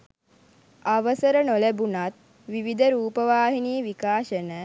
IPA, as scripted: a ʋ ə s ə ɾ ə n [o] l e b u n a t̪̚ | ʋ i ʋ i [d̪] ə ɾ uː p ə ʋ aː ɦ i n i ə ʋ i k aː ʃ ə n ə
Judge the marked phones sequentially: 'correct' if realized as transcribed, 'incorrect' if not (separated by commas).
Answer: correct, correct